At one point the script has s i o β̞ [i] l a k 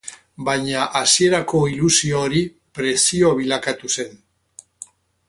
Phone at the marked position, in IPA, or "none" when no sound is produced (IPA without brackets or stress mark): i